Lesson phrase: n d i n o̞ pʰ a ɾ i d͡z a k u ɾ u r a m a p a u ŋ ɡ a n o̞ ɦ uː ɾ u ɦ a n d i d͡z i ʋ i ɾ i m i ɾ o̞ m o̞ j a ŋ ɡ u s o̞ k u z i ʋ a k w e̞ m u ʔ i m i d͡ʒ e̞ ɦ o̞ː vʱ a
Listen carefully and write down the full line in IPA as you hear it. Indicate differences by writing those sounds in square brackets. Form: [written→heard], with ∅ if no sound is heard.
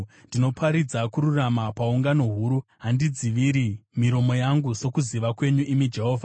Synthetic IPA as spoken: n d i n o̞ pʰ a ɾ i d͡z a k u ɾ u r a m a p a u ŋ ɡ a n o̞ ɦ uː ɾ u ɦ a n d i d͡z i ʋ i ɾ i m i ɾ o̞ m o̞ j a ŋ ɡ u s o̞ k u z i ʋ a k w e̞ [m→ɲ] u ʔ i m i d͡ʒ e̞ ɦ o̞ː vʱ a